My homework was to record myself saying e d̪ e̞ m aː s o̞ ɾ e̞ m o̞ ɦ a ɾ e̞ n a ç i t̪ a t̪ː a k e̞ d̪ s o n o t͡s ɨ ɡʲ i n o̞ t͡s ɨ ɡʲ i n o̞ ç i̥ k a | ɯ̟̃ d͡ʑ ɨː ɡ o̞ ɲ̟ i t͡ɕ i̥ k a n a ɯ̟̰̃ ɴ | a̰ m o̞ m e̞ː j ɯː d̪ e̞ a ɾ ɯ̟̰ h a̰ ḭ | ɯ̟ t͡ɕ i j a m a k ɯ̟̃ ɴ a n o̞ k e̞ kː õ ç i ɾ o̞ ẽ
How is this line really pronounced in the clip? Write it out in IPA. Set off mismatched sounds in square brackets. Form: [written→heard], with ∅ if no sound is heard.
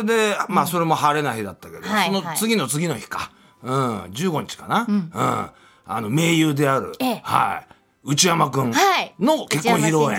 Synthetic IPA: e d̪ e̞ m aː s o̞ ɾ e̞ m o̞ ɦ a ɾ e̞ n a ç i [t̪→d̪] a t̪ː a k e̞ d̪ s o n o t͡s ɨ ɡʲ i n o̞ t͡s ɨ ɡʲ i n o̞ ç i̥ k a | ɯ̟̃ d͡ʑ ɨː ɡ o̞ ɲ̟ i t͡ɕ i̥ k a n a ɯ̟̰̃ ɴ | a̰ [m→n] o̞ m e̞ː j ɯː d̪ e̞ a ɾ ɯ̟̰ h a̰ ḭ | ɯ̟ t͡ɕ i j a m a k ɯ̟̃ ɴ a n o̞ k e̞ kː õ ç i ɾ o̞ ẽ